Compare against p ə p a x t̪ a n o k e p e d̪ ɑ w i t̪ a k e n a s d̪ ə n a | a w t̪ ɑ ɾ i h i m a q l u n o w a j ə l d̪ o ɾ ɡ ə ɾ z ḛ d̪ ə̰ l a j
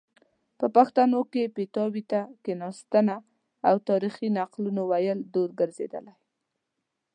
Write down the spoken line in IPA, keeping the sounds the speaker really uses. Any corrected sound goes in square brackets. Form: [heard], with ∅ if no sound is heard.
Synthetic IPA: p ə p a x t̪ a n o k e p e [t̪] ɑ w i t̪ a k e n [ɑ] s [t̪] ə n a | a w t̪ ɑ ɾ i [x] i [n] a q l u n o w a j ə l d̪ o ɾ ɡ ə ɾ z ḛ d̪ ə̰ l a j